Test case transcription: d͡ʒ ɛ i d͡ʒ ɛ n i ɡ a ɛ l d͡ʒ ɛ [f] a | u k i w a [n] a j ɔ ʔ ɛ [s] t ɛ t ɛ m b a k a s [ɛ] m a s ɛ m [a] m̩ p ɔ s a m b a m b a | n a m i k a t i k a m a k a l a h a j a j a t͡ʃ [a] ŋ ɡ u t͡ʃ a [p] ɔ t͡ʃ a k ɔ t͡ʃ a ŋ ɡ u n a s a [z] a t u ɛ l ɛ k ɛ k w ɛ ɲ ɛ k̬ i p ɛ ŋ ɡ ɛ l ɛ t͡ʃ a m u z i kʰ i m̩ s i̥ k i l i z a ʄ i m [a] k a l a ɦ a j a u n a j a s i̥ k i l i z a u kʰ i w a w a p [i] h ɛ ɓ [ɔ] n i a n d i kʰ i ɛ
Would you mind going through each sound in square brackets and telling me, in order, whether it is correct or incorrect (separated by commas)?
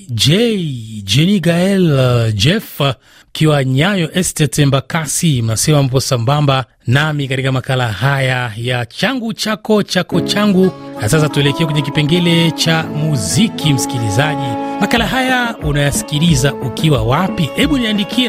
correct, incorrect, correct, incorrect, correct, correct, incorrect, incorrect, correct, correct, incorrect